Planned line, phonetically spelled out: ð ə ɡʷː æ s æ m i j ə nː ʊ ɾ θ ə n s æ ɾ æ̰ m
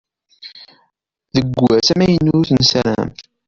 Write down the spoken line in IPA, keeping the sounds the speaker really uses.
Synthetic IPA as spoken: ð ə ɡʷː æ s æ m æ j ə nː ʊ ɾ θ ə n s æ ɾ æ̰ m

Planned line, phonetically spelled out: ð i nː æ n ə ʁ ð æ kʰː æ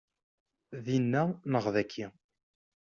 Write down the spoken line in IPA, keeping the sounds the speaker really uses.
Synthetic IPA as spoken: ð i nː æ n ə ʁ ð æ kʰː i

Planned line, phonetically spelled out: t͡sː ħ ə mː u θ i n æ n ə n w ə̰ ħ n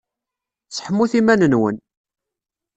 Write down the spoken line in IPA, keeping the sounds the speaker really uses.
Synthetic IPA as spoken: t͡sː ħ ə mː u θ i m æ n ə n w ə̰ n

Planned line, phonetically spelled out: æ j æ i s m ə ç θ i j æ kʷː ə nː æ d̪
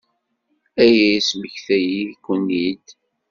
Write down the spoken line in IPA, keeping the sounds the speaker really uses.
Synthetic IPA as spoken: æ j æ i s m ə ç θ æ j i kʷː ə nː i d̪

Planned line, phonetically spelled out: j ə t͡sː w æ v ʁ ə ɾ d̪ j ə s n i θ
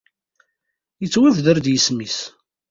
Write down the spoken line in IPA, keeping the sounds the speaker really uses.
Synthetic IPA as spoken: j ə t͡sː w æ v ð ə ɾ d̪ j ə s m i s

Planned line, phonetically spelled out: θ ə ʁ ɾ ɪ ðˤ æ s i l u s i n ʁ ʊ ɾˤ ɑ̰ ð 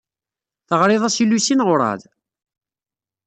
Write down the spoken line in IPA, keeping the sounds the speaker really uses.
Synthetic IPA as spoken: θ ə ʁ ɾ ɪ ðˤ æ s i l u s i n ʁ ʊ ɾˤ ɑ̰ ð

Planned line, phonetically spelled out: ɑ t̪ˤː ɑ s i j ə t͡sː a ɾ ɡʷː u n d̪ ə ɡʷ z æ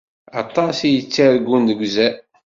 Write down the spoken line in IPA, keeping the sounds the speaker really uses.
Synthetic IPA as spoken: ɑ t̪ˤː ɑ s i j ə t͡sː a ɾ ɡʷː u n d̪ ə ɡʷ z æ

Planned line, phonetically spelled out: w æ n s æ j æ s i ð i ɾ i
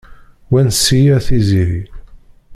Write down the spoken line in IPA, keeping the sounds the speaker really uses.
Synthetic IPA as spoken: w æ n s i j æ θ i z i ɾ i

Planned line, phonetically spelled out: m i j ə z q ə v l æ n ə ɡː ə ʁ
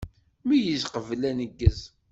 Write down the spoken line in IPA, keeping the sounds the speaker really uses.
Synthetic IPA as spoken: m i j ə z q ə v l æ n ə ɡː ə z

